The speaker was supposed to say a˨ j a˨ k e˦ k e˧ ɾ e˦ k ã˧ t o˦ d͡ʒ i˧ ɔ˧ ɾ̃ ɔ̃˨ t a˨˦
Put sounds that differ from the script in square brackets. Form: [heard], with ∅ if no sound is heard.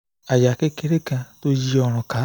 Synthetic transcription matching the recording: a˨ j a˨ k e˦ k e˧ ɾ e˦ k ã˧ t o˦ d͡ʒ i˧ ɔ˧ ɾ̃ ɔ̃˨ [k] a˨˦